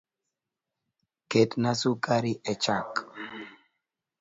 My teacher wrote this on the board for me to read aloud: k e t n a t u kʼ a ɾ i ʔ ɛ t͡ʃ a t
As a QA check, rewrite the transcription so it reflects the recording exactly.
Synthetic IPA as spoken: k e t n a s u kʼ a ɾ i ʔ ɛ t͡ʃ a k

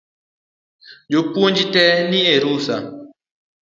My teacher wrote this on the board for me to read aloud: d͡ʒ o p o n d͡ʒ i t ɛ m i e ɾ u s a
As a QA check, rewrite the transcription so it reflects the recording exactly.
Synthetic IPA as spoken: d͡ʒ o p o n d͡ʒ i t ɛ n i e ɾ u s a

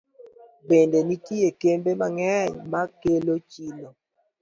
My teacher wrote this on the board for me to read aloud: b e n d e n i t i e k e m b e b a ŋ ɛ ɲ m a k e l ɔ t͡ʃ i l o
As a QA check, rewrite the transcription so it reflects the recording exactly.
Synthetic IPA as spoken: b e n d e n i t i e k e m b e m a ŋ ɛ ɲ m a k e l o t͡ʃ i l o

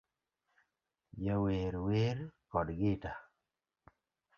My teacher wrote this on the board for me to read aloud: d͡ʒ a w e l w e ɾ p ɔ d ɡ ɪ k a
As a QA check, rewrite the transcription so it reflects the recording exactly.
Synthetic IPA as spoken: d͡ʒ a w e ɾ w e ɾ k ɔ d ɡ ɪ t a

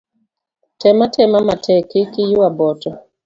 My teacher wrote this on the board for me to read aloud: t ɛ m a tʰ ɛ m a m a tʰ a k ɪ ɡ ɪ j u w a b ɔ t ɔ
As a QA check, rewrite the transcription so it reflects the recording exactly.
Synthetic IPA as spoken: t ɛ m a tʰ ɛ m a m a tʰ ɛ k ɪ k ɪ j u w a b ɔ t ɔ

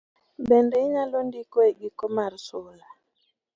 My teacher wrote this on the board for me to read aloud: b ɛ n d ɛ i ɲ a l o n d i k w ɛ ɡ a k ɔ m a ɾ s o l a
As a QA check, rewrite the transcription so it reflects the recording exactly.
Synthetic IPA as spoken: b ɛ n d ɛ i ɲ a l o n d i k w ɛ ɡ i k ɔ m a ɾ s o l a

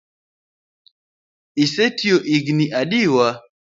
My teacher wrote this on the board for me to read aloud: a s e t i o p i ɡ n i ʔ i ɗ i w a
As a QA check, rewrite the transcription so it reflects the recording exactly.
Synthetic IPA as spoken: i s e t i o ʔ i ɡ n i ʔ a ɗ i w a

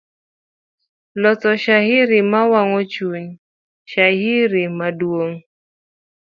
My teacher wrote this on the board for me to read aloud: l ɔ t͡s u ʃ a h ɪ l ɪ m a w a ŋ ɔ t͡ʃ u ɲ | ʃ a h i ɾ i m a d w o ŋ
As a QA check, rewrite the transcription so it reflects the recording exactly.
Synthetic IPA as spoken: l ɔ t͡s ɔ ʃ a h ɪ ɾ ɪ m a w a ŋ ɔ t͡ʃ u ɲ | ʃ a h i ɾ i m a d w o ŋ

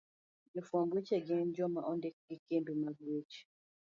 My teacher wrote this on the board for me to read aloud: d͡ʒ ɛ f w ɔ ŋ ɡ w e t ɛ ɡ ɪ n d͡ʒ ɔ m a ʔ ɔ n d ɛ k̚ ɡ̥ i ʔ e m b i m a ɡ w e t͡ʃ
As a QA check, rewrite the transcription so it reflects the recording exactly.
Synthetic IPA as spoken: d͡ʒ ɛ f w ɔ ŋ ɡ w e t͡ʃ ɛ ɡ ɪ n d͡ʒ ɔ m a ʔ ɔ n d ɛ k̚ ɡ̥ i k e m b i m a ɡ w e t͡ʃ

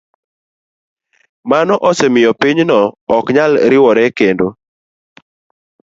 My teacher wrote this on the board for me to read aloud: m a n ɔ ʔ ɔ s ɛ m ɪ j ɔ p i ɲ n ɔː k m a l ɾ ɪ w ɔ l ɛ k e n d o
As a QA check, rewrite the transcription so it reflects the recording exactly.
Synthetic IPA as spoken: m a n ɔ ʔ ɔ s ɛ m ɪ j ɔ p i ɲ n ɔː k ɲ a l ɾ ɪ w ɔ ɾ ɛ k e n d o

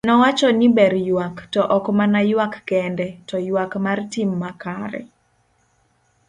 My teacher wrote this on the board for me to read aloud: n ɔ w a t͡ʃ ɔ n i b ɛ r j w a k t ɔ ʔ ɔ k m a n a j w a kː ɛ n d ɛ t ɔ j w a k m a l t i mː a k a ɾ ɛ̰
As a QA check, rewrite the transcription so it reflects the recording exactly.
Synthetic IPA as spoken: n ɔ w a t͡ʃ ɔ n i b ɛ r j w a k t ɔ ʔ ɔ k m a n a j w a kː ɛ n d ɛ t ɔ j w a k m a r t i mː a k a ɾ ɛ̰

